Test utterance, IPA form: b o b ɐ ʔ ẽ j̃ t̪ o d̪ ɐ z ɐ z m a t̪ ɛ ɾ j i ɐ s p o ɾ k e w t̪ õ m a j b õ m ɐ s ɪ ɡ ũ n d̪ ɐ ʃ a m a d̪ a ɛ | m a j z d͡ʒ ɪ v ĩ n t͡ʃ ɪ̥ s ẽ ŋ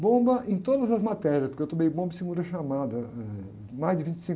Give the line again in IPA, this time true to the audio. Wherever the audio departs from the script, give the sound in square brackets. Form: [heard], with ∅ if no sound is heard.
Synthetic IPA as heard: b [õ] b ɐ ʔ ẽ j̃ t̪ o d̪ ɐ z ɐ z m a t̪ ɛ ɾ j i ɐ s p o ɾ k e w t̪ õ m [e] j b õ [b] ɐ s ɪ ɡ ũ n d̪ ɐ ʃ a m a d̪ [ɐ] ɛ | m a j z d͡ʒ ɪ v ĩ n t͡ʃ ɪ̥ s [ĩ] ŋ